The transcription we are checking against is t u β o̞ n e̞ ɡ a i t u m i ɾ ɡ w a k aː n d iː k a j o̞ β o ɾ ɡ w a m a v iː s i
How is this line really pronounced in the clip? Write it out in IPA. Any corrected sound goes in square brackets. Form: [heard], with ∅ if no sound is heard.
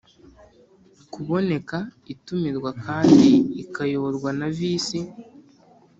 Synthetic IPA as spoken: [k] u β o̞ n e̞ [k] a i t u m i ɾ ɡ w a k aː n d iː k a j o̞ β o ɾ ɡ w a [n] a v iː s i

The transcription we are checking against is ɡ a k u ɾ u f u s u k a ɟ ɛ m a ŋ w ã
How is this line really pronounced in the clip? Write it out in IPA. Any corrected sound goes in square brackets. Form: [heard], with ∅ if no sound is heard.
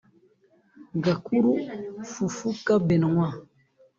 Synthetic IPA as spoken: ɡ a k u ɾ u f u [f] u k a [b] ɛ [n] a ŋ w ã

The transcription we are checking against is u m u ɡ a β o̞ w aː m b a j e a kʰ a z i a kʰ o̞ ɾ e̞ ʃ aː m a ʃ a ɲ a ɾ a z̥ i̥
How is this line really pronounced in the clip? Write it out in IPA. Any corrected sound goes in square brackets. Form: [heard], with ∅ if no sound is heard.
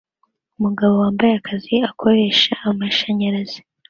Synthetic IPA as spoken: u m u ɡ a β o̞ w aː m b a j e a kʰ a z i a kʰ o̞ ɾ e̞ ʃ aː m a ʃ a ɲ a ɾ a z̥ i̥

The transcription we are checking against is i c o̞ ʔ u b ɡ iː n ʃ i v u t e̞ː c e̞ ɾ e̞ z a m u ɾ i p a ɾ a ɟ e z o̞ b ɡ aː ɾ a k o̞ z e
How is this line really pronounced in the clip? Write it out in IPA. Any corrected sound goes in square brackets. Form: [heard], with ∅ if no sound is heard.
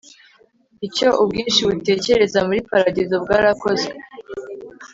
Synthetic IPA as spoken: i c o̞ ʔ u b ɡ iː n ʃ i [β] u t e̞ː c e̞ ɾ e̞ z a m u ɾ i p a ɾ a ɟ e z o̞ b ɡ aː ɾ a k o̞ z e

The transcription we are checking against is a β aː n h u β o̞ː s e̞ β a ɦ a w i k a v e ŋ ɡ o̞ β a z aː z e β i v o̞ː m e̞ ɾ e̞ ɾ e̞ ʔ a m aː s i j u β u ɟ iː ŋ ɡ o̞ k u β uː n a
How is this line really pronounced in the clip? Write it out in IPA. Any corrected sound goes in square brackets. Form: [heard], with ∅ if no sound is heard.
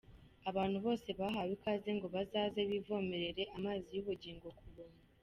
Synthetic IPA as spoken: a β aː n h u β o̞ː s e̞ β a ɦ a w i k a [z] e ŋ ɡ o̞ β a z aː z e β i v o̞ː m e̞ ɾ e̞ ɾ e̞ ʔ a m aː [z] i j u β u ɟ iː ŋ ɡ o̞ k u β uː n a

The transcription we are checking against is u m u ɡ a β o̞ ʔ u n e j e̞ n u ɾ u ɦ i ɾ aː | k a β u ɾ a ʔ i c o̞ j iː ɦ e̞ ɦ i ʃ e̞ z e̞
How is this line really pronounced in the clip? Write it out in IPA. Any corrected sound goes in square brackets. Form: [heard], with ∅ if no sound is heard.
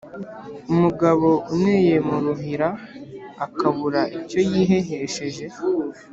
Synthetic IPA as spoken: u m u ɡ a β o̞ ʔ u n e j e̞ [m] u ɾ u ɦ i ɾ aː | k a β u ɾ a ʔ i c o̞ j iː ɦ e̞ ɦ [e] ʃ e̞ [ʒ] e̞

